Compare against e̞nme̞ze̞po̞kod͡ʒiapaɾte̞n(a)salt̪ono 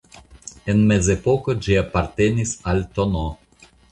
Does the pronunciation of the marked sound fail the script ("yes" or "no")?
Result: yes